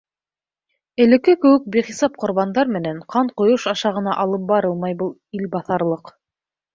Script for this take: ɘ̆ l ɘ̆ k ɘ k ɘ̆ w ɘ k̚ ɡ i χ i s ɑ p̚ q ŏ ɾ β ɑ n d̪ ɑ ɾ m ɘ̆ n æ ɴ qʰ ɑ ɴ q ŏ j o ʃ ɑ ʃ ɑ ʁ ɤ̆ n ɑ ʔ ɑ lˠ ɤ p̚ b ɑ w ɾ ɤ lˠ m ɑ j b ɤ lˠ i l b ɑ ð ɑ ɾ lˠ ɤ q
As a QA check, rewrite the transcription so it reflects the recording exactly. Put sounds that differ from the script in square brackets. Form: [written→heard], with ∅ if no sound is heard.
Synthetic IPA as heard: ɘ̆ l ɘ̆ k ɘ k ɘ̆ w ɘ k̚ [ɡ→b] i χ i s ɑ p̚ q ŏ ɾ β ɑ n d̪ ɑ ɾ m ɘ̆ n æ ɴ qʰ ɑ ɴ q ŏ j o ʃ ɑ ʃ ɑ ʁ ɤ̆ n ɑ ʔ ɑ lˠ ɤ p̚ b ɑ [w→∅] ɾ ɤ lˠ m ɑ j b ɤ lˠ i l b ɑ [ð→θ] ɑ ɾ lˠ ɤ q